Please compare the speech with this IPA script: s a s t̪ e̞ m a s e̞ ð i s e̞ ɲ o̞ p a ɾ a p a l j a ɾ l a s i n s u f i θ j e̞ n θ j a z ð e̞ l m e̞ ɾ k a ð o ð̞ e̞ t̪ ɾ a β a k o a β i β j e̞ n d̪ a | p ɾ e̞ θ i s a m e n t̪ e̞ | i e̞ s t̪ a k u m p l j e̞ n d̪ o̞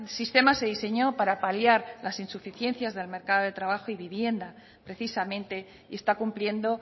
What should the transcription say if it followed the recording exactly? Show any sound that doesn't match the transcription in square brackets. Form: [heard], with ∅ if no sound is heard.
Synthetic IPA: s [i] s t̪ e̞ m a s e̞ ð i s e̞ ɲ o̞ p a ɾ a p a l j a ɾ l a s i n s u f i θ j e̞ n θ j a z ð e̞ l m e̞ ɾ k a ð o ð̞ e̞ t̪ ɾ a β a [x] o [i] β i β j e̞ n d̪ a | p ɾ e̞ θ i s a m [ẽ] n t̪ e̞ | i e̞ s t̪ a k u m p l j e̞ n d̪ o̞